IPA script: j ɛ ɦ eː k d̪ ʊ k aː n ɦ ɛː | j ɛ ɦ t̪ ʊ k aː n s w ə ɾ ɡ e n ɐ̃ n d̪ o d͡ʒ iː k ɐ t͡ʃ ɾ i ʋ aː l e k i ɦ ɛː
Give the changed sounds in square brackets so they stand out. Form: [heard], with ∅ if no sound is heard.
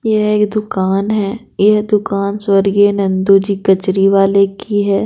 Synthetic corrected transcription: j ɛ ɦ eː k d̪ ʊ k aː n ɦ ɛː | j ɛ ɦ [d̪] ʊ k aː n s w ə ɾ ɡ e n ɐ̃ n d̪ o d͡ʒ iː k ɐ t͡ʃ ɾ i ʋ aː l e k i ɦ ɛː